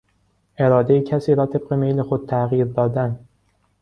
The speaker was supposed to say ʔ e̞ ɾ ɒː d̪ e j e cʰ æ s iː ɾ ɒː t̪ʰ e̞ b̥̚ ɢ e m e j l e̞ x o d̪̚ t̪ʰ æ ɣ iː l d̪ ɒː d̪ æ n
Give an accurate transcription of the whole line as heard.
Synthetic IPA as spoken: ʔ e̞ ɾ ɒː d̪ e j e cʰ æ s iː ɾ ɒː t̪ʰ e̞ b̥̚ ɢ e m e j l e̞ x o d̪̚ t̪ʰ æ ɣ iː ɾ d̪ ɒː d̪ æ n

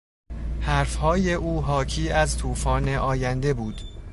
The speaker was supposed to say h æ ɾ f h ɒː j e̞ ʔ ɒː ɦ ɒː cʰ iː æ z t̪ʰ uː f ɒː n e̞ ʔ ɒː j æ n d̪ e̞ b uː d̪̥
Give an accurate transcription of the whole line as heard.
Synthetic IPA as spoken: h æ ɾ f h ɒː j e̞ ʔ uː ɦ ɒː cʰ iː æ z t̪ʰ uː f ɒː n e̞ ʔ ɒː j æ n d̪ e̞ b uː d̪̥

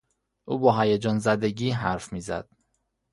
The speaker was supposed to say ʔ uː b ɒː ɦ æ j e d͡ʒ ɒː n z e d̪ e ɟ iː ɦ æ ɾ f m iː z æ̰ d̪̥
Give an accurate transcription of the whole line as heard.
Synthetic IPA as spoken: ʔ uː b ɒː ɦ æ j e d͡ʒ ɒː n z æ d̪ e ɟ iː ɦ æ ɾ f m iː z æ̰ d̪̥

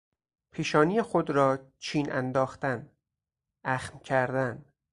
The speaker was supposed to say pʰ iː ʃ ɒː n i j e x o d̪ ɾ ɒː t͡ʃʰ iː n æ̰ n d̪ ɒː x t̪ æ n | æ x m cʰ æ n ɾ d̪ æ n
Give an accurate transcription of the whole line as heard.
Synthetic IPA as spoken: pʰ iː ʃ ɒː n i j e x o d̪ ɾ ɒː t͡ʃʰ iː n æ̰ n d̪ ɒː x t̪ æ n | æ x m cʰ æ ɾ d̪ æ n

